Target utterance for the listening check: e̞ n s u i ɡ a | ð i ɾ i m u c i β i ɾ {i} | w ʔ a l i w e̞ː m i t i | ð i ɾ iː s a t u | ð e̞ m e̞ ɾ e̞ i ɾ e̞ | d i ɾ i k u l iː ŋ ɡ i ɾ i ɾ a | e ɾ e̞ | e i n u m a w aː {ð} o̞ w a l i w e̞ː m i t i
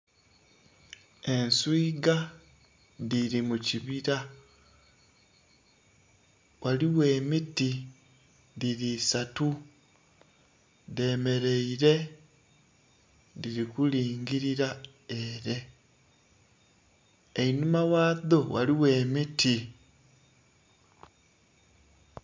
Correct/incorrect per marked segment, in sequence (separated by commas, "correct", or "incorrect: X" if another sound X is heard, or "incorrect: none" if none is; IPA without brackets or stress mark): incorrect: a, correct